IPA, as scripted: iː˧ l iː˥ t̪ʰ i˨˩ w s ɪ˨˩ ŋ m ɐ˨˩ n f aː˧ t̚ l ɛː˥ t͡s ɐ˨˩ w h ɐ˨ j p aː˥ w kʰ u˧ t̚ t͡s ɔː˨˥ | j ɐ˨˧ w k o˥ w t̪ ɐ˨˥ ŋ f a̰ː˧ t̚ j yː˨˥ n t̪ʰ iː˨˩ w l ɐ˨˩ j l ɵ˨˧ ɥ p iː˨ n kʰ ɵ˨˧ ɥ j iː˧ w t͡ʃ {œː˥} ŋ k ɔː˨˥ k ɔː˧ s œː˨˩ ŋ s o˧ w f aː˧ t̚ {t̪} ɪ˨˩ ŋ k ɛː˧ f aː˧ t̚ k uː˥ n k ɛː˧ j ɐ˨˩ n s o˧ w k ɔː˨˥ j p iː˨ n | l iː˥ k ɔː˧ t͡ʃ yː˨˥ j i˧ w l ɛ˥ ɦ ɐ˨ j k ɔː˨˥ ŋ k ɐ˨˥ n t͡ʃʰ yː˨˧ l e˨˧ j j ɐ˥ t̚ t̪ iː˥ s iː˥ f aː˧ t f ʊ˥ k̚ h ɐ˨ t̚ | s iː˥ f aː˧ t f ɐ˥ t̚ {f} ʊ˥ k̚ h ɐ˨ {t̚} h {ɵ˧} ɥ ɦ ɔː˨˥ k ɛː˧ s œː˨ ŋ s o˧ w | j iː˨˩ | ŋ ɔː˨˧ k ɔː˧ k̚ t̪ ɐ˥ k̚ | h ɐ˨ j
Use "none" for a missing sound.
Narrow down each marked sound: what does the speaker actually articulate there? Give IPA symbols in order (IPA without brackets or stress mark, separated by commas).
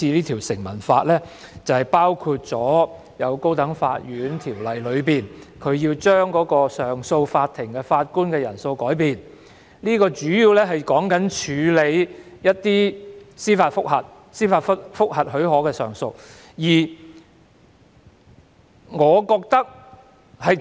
œː˥, t̪ʰ, f, t̚, ɵ˨˥